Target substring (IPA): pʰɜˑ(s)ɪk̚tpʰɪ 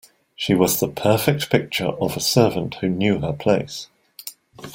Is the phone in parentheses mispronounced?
yes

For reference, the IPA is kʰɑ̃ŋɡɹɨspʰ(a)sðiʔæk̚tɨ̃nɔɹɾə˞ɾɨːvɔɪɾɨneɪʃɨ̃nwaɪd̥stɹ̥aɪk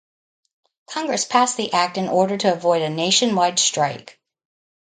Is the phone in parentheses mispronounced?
yes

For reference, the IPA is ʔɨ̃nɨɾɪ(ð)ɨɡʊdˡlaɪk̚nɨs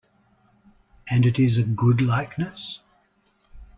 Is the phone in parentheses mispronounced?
yes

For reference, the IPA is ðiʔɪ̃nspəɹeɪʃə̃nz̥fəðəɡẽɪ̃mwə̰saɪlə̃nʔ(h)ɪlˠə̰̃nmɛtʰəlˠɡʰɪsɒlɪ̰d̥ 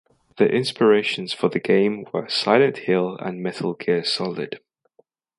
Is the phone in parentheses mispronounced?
no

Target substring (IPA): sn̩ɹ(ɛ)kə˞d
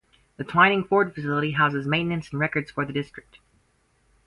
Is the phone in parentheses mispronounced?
no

